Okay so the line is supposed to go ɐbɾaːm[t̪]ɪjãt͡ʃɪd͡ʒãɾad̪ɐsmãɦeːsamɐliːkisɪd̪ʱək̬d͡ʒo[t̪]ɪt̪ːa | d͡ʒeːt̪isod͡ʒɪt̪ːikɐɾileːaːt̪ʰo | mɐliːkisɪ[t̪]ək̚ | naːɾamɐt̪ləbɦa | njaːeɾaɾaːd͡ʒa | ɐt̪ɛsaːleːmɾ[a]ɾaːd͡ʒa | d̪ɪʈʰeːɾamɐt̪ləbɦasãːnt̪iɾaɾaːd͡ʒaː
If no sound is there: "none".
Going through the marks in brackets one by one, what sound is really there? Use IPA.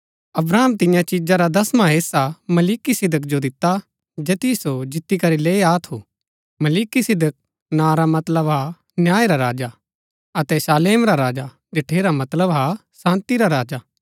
t̪, d̪, d̪, a

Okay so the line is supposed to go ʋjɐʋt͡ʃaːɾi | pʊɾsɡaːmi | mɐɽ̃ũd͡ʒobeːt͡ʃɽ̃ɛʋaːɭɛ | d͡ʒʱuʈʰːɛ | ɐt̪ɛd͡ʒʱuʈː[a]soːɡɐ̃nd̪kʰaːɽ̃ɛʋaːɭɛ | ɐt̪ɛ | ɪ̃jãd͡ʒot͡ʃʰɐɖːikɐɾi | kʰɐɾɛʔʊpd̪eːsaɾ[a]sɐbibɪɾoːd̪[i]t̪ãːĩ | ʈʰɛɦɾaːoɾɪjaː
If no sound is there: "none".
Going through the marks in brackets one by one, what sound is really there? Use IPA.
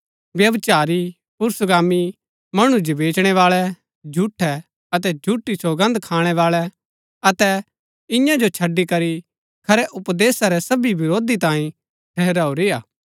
i, ɛ, i

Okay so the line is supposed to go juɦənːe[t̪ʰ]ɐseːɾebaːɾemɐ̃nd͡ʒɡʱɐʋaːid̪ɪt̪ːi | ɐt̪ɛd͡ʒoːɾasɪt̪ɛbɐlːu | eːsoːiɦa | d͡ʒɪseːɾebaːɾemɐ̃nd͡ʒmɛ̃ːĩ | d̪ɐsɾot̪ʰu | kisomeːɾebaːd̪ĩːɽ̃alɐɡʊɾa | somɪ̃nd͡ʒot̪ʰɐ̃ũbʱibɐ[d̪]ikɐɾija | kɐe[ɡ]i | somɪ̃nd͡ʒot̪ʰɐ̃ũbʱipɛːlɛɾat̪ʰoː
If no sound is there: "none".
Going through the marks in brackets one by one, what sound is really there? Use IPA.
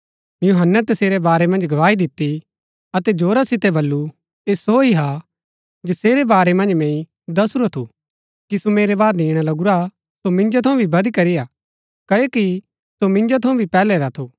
t̪, d̪, k

